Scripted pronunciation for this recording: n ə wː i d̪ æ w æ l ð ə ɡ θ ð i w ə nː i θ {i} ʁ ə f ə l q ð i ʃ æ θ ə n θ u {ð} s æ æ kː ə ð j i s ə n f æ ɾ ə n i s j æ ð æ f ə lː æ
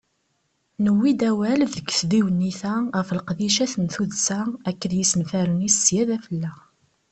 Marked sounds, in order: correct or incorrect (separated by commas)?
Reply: incorrect, correct